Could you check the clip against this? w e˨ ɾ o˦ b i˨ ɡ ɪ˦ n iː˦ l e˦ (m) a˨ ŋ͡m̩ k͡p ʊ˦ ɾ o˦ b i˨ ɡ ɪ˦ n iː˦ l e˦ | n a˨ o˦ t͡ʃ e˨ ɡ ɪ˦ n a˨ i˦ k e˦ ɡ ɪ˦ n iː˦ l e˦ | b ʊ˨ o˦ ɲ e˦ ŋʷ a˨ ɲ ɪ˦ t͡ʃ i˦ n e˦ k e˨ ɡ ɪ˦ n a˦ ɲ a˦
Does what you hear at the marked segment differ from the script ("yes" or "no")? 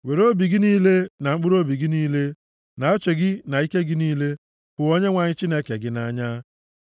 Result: yes